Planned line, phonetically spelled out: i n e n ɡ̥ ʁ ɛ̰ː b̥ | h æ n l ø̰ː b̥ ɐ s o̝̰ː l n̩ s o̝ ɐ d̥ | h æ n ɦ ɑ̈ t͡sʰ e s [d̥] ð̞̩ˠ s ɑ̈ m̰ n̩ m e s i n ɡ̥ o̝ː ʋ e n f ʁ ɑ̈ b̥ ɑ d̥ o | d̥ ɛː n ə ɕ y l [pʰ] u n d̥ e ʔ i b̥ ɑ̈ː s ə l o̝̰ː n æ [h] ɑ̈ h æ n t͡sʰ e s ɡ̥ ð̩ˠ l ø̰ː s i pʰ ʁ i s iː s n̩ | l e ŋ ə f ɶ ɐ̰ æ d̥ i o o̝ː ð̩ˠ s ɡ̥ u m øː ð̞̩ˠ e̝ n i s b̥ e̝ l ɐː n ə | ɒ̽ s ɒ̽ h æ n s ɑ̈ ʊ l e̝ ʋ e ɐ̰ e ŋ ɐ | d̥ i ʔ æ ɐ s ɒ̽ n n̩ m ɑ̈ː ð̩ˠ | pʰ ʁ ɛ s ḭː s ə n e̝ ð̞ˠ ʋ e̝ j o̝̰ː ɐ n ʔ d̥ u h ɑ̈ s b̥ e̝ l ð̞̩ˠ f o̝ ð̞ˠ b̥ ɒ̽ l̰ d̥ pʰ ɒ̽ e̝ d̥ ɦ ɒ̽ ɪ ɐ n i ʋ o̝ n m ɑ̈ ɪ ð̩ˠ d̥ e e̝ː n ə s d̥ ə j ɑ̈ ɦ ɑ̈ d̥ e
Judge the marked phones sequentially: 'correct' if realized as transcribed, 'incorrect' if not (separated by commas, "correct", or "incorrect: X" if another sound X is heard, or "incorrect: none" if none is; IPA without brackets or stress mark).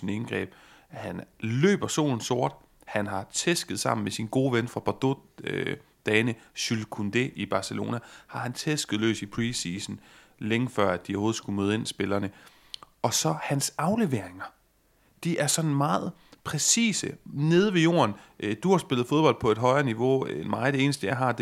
incorrect: ɡ̥, incorrect: kʰ, correct